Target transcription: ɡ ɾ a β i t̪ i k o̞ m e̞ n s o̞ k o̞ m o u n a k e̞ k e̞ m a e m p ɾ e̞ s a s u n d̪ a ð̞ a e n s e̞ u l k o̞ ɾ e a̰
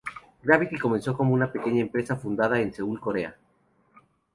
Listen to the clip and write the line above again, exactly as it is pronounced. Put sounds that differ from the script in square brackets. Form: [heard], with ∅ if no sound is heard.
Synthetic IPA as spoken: ɡ ɾ a β i t̪ i k o̞ m e̞ n s o̞ k o̞ m o u n a [p] e̞ k e̞ [ɲ] a e m p ɾ e̞ s a [f] u n d̪ a ð̞ a e n s e̞ u l k o̞ ɾ e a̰